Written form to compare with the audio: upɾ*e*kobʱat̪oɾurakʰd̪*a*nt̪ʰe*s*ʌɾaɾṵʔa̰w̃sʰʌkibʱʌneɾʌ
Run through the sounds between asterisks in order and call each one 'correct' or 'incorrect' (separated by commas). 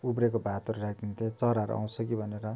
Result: correct, incorrect, incorrect